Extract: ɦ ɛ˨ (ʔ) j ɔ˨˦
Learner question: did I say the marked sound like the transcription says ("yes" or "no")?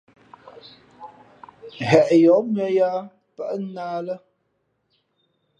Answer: yes